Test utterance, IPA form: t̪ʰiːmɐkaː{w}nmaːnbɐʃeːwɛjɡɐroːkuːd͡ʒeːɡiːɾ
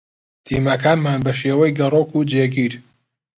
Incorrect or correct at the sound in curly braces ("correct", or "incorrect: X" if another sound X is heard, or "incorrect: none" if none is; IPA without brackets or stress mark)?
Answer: incorrect: none